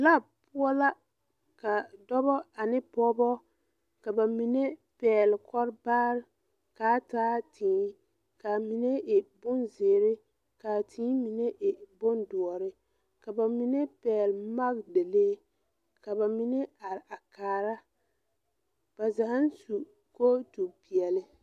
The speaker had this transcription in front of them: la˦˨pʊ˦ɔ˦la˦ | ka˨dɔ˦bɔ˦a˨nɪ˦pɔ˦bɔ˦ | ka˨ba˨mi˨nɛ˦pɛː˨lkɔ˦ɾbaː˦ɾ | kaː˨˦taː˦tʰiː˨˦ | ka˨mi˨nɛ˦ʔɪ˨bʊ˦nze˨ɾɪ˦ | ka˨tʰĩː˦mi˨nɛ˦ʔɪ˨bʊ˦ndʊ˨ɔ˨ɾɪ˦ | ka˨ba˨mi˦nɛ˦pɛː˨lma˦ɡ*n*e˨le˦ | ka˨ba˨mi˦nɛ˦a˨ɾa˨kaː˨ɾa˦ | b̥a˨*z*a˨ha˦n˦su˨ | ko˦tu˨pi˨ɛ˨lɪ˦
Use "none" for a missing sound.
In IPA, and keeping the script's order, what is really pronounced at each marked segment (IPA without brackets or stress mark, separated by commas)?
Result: d, z